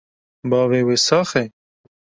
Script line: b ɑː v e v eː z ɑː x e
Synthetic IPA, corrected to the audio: b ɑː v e w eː s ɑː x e